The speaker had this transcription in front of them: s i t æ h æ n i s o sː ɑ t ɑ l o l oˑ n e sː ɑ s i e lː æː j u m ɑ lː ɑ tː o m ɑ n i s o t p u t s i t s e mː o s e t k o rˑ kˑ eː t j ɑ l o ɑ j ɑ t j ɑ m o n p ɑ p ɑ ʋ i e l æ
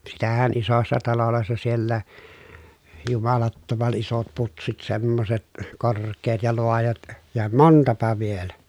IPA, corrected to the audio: s i t æ h æ n i s o sː ɑ t ɑ l o l oˑ e sː ɑ s i e lː æː j u m ɑ l ɑ tː o m ɑ n i s o t p u t s i t s e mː o s e t k o rˑ kˑ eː t j ɑ l o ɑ j ɑ t j ɑ m o n t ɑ p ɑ ʋ i e l æ